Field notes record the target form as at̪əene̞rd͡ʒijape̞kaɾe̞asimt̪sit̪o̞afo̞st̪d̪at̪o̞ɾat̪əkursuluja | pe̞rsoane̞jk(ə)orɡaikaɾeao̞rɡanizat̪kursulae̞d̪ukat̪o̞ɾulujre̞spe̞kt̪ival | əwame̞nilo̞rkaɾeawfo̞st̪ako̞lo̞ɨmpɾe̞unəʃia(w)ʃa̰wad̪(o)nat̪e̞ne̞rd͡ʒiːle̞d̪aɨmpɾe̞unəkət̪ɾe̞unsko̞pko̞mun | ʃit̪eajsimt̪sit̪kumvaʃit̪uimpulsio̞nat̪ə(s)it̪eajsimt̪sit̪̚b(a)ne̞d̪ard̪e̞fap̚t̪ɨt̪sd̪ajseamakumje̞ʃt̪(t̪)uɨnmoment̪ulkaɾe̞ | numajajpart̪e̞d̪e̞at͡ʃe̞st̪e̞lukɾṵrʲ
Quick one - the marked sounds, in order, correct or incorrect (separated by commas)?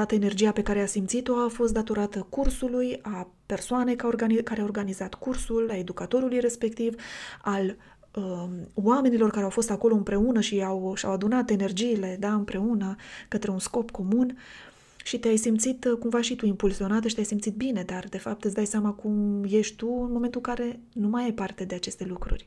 incorrect, correct, incorrect, incorrect, incorrect, correct